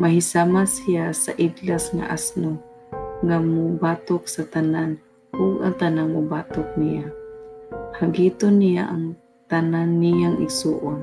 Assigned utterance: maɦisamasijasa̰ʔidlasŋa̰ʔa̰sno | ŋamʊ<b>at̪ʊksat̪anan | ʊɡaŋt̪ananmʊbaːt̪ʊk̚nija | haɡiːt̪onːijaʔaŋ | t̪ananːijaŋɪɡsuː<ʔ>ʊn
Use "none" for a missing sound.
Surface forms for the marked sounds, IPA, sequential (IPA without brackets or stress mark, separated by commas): b, ʔ